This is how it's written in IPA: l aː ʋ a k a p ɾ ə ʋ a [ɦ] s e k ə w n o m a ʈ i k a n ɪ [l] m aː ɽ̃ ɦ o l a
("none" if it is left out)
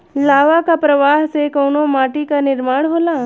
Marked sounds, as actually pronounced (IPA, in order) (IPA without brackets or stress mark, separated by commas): ɦ, ɾ